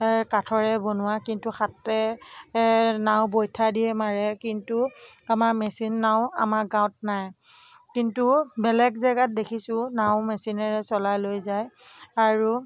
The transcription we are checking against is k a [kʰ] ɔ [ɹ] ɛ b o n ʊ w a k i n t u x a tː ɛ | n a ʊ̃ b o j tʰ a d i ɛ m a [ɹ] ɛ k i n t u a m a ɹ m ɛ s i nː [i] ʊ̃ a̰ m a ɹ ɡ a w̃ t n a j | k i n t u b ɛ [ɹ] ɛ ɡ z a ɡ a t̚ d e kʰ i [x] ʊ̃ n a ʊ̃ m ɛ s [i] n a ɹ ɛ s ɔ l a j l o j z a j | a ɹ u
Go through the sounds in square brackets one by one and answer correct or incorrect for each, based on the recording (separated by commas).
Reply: incorrect, correct, correct, incorrect, incorrect, incorrect, correct